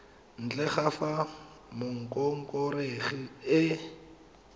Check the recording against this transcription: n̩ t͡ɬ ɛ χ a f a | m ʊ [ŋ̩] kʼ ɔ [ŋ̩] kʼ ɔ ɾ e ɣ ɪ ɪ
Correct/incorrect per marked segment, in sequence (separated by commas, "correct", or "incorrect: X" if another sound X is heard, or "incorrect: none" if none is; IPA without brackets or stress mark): correct, correct